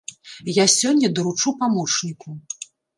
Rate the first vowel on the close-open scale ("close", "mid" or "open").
open